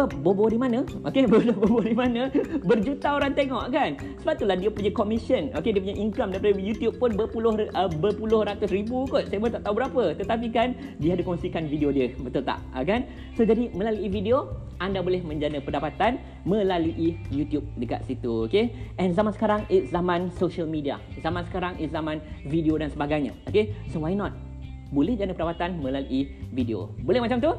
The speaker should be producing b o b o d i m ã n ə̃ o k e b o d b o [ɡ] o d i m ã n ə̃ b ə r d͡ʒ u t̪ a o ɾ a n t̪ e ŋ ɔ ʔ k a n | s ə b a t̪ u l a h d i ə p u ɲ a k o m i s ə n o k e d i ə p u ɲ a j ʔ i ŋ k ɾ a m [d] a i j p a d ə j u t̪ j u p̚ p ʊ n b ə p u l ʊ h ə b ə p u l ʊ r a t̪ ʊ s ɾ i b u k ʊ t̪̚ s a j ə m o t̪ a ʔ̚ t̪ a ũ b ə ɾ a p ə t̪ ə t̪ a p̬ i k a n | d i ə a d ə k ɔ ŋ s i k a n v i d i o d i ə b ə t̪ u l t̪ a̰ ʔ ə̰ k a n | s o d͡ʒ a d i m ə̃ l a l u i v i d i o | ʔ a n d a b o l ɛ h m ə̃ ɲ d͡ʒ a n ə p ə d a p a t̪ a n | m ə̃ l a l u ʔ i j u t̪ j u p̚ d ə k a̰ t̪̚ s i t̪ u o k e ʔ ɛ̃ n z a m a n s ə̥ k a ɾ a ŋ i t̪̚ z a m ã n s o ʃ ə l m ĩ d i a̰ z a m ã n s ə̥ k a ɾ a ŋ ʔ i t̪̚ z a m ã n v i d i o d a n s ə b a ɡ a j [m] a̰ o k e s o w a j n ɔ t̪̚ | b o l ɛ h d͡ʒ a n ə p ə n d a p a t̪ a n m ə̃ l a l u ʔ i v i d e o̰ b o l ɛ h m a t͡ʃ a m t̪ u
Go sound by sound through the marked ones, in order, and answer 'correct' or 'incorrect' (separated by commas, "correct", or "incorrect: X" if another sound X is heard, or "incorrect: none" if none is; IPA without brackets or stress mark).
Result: incorrect: b, correct, incorrect: ɲ